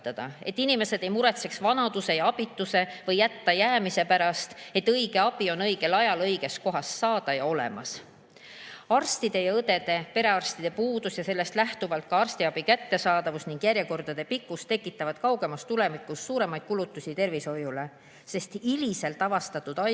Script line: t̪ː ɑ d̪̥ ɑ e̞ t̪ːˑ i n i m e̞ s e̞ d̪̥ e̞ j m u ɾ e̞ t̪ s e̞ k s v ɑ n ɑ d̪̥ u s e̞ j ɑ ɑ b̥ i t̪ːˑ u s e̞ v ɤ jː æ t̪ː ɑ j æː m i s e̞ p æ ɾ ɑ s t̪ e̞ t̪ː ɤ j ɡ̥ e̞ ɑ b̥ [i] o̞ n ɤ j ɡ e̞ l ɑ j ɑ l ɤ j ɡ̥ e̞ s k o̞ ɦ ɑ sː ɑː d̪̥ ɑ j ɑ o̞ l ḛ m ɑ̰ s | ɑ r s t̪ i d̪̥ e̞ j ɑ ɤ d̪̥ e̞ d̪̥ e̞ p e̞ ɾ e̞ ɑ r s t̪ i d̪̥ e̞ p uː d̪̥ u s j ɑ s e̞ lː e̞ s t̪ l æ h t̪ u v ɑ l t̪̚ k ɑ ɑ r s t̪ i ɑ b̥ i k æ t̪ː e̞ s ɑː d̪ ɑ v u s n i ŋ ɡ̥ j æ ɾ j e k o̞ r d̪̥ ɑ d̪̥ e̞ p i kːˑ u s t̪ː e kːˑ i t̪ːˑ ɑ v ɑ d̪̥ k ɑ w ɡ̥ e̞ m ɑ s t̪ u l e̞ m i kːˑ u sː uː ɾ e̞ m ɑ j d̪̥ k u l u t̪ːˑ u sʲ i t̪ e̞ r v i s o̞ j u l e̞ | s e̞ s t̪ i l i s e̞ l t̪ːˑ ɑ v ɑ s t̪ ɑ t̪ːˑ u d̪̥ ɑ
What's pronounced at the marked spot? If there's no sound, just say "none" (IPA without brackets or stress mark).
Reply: i